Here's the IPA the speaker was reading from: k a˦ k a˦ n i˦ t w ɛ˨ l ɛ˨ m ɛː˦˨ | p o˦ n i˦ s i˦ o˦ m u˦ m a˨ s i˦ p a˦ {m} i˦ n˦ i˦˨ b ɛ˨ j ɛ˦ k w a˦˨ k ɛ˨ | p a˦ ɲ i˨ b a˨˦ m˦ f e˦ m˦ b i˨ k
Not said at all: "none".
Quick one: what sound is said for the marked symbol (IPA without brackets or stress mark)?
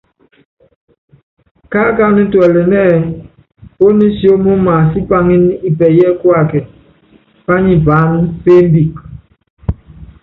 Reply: ŋ